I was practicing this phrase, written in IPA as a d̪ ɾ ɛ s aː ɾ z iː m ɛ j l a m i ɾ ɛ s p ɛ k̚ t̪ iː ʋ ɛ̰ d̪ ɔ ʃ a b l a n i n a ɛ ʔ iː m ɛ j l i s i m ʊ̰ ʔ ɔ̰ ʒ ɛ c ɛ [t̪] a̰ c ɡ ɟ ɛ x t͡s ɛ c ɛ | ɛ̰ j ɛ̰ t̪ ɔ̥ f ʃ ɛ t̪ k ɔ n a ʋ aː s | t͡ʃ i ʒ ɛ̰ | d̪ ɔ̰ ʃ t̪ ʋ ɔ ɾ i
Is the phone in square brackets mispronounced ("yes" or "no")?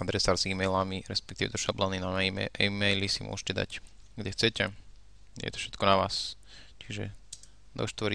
yes